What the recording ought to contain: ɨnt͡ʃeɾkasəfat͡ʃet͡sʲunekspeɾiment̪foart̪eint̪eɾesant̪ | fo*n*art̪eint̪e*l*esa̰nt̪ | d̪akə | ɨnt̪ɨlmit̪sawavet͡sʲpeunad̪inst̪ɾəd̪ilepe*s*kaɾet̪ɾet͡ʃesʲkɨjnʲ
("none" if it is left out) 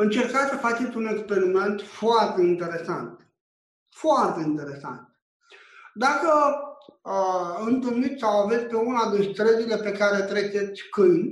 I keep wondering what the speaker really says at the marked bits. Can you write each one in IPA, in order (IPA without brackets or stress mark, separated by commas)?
none, ɾ, none